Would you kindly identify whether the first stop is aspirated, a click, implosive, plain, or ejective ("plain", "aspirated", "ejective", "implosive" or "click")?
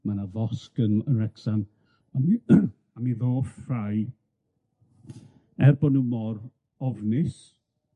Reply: plain